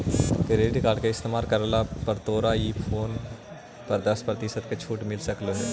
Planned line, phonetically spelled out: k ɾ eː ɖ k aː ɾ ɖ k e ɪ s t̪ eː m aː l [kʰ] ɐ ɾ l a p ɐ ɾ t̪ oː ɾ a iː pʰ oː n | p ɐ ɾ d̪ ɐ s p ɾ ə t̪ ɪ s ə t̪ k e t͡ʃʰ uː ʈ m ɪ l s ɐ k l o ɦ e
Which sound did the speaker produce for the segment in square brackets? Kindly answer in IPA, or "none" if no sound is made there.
k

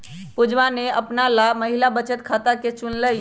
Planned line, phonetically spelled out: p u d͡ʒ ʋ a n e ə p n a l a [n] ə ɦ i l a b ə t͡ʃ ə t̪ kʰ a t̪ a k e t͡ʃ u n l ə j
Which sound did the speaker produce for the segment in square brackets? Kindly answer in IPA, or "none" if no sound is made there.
m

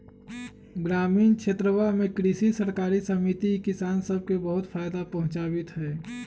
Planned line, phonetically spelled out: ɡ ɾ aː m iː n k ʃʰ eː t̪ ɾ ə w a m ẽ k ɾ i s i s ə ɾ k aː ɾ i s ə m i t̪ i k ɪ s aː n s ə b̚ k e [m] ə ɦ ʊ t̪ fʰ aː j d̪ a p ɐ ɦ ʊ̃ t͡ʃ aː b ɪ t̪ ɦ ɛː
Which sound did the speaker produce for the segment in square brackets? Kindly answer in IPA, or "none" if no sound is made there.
b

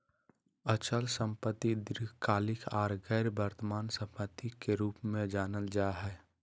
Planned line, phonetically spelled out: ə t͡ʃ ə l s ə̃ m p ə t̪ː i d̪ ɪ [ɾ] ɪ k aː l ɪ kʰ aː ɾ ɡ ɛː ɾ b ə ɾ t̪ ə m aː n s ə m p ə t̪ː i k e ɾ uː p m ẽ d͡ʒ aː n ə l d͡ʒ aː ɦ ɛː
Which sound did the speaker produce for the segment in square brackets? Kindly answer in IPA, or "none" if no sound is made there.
ɾ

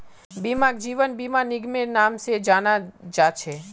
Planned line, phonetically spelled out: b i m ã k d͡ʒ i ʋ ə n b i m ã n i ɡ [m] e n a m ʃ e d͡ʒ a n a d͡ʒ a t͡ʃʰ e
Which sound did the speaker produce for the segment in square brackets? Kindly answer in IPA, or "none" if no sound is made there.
m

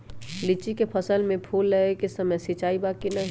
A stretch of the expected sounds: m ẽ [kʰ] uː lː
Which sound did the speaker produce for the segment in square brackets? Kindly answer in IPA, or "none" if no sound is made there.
pʰ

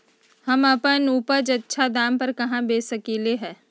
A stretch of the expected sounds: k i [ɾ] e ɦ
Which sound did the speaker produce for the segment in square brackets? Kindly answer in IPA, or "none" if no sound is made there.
l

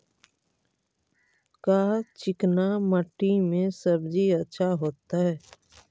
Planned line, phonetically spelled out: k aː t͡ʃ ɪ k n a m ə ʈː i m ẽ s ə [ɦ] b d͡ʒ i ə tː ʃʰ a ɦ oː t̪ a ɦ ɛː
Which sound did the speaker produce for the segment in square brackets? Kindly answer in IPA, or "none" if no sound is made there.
none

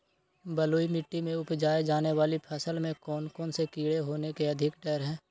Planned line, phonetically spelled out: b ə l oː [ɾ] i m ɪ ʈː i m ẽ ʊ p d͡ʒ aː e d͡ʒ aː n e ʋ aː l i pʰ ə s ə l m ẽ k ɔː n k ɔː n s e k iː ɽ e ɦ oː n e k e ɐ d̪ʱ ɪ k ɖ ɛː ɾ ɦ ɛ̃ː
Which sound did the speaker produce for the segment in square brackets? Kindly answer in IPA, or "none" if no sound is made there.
none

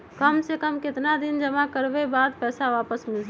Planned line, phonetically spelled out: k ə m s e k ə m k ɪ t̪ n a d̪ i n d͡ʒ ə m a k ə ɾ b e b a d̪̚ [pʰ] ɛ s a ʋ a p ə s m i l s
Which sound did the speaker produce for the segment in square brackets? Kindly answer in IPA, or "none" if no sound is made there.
p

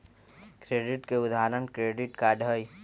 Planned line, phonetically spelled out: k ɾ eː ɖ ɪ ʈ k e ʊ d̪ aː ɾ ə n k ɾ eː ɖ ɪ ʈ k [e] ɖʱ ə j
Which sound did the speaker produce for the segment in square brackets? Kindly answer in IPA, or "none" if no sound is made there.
a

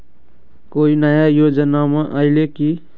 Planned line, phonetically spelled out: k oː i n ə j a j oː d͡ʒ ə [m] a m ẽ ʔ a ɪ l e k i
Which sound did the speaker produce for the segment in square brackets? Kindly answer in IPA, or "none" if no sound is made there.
n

